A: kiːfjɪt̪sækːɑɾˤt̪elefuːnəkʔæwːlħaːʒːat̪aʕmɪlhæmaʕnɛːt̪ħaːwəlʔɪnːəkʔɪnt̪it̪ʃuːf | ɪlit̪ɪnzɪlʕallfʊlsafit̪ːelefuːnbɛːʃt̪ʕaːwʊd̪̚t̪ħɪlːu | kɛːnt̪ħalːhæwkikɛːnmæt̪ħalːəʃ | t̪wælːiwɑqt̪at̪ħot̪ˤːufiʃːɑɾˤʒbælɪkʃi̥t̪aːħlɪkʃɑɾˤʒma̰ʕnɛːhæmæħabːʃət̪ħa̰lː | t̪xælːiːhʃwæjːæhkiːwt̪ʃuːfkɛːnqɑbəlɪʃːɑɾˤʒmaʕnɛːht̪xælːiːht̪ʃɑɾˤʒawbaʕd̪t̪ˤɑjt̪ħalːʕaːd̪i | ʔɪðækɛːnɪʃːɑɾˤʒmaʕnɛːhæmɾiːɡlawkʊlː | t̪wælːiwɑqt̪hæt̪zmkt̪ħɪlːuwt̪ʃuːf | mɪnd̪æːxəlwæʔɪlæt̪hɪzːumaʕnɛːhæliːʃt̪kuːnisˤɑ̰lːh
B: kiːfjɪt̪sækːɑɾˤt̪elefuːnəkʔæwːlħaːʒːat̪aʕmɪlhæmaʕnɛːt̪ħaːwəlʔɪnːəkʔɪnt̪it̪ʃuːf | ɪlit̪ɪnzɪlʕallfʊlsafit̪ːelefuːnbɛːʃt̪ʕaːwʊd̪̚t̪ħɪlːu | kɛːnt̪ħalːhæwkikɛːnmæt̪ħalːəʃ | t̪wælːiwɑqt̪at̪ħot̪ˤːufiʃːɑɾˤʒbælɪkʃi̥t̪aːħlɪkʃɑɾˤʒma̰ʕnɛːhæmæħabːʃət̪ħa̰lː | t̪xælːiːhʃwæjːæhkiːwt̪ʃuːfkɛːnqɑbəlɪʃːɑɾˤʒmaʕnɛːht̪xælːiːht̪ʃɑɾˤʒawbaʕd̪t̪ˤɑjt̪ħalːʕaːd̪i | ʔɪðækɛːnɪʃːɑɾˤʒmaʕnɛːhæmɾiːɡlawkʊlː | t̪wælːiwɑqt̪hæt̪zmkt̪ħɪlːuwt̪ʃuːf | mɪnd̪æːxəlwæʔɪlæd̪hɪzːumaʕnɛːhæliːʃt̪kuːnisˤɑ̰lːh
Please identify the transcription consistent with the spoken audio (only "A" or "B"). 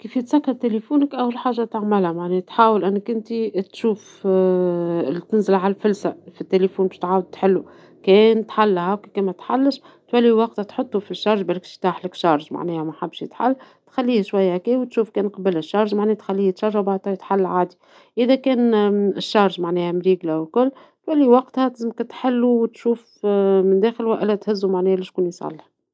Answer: A